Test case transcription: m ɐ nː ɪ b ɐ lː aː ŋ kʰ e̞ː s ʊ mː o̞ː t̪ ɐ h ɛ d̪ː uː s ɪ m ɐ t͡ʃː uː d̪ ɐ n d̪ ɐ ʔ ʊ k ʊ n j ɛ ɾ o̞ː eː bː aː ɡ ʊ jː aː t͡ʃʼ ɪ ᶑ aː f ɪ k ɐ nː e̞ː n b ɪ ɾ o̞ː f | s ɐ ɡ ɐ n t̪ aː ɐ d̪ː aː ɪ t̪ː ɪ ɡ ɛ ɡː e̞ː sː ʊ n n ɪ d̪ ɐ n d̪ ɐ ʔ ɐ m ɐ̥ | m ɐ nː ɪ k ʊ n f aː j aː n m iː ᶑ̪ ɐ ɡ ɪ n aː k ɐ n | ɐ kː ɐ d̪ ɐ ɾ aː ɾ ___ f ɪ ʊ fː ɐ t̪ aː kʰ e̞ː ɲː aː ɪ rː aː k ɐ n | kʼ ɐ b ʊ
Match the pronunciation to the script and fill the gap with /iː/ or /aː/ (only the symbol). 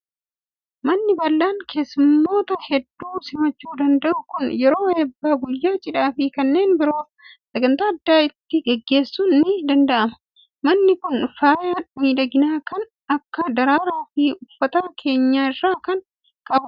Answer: aː